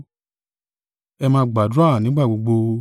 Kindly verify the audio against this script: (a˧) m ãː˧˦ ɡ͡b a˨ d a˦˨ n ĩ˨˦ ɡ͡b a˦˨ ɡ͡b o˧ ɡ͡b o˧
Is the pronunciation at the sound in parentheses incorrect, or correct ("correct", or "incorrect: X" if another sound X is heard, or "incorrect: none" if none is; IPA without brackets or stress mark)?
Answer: incorrect: ɛ˧